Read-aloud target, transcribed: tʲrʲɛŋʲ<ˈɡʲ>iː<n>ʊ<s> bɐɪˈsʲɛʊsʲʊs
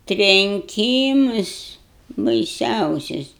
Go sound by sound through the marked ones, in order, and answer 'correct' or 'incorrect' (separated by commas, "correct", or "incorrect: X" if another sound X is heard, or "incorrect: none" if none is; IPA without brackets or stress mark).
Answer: incorrect: kʲ, incorrect: m, correct